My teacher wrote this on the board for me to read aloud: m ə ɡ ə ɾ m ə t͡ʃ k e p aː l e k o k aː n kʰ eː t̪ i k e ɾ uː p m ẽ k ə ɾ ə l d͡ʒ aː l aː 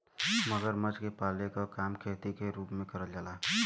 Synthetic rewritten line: m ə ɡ ə ɾ m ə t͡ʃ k e p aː l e k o k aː m kʰ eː t̪ i k e ɾ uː p m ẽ k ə ɾ ə l d͡ʒ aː l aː